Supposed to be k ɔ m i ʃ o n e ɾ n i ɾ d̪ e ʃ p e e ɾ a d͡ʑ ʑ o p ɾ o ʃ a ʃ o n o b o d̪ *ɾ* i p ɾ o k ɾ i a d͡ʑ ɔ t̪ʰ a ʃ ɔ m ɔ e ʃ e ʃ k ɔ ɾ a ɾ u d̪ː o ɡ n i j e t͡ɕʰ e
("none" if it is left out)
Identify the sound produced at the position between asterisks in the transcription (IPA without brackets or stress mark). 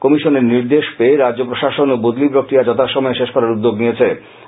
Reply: l